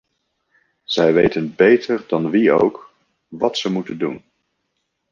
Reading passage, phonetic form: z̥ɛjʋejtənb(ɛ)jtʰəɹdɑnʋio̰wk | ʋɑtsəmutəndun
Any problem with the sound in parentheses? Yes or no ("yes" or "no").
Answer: yes